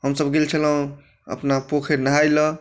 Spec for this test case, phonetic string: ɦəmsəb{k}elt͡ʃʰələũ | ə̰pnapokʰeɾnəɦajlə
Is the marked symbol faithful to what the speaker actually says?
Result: no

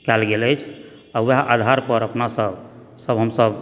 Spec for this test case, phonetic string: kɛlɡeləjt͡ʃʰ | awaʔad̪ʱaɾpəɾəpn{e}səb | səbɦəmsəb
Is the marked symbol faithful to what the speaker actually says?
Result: no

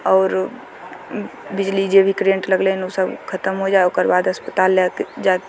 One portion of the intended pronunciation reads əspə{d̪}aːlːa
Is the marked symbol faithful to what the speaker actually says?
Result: no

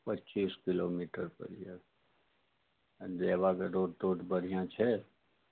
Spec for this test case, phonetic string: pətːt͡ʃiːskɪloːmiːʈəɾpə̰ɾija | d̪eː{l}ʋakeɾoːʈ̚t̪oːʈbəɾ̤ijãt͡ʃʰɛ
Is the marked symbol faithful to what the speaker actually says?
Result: no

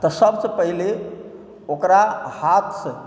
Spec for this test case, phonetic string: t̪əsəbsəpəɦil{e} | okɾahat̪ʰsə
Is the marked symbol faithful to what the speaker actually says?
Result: yes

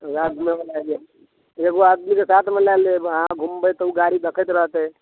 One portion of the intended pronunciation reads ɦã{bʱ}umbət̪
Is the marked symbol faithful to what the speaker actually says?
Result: no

